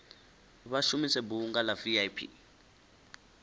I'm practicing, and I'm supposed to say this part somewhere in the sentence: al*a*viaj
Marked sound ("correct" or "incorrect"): correct